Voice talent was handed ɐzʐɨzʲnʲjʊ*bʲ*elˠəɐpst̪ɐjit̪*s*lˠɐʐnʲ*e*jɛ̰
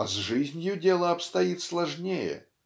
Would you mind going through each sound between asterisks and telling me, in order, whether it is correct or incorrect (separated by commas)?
incorrect, correct, correct